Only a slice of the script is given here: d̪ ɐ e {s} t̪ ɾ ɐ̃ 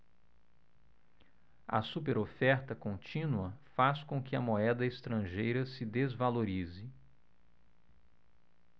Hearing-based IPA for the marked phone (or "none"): s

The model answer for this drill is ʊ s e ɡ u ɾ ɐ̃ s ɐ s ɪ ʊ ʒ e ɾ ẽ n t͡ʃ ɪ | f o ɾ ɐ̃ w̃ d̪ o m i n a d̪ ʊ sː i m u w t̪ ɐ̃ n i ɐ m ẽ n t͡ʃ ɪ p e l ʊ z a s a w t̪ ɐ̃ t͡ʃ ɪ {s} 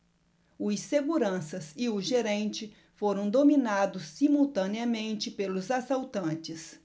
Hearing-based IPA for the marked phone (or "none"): s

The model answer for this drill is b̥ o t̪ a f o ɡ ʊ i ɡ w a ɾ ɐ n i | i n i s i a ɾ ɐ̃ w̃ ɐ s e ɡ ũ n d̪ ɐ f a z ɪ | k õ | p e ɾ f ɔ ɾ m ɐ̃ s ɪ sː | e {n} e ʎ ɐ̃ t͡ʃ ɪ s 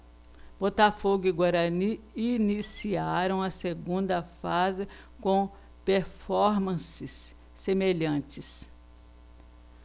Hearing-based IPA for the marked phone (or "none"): m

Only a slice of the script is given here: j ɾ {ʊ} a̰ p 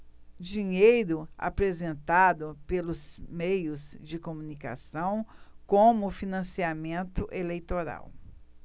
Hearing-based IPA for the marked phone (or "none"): ʊ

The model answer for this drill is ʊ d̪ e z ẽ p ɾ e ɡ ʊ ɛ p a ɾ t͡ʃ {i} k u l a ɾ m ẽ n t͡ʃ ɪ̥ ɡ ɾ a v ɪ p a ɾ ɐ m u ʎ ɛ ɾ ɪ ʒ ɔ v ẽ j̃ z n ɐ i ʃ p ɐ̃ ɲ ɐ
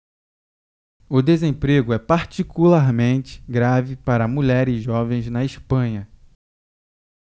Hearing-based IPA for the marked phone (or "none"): i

